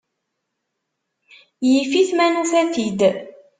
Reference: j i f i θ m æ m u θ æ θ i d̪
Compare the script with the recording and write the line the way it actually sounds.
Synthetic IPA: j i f i θ m æ n u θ æ θ i d̪